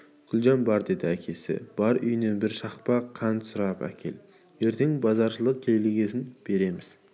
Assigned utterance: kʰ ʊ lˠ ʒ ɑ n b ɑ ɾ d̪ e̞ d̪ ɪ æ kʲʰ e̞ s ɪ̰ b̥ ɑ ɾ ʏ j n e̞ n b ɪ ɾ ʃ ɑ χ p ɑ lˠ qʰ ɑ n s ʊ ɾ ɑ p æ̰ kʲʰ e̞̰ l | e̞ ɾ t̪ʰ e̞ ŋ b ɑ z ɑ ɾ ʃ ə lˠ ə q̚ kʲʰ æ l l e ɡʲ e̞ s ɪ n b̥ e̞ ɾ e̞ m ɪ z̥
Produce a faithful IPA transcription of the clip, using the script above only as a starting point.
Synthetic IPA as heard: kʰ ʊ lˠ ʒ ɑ n b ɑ ɾ d̪ e̞ d̪ ɪ æ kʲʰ e̞ s ɪ̰ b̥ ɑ ɾ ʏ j n e̞ n b ɪ ɾ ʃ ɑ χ p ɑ qʰ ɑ n s ʊ ɾ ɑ p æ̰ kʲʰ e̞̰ l | e̞ ɾ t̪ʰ e̞ ŋ b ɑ z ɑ ɾ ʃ ə lˠ ə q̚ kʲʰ e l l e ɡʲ e̞ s ɪ n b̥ e̞ ɾ e̞ m ɪ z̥